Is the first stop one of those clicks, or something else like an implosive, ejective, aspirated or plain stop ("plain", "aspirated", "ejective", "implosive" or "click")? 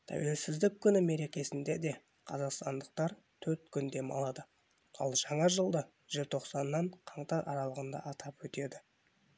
aspirated